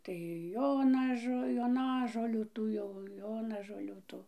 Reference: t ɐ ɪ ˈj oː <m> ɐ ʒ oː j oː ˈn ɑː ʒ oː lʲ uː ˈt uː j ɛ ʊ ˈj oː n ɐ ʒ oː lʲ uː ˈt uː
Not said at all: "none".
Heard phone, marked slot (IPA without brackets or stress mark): n